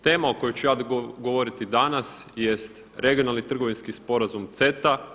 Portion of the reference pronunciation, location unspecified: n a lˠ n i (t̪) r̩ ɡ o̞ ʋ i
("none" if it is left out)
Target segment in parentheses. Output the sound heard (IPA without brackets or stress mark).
t̪